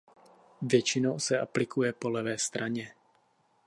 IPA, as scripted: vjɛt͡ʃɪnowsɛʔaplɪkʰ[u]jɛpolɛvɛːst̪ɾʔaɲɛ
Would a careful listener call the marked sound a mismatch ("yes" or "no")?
no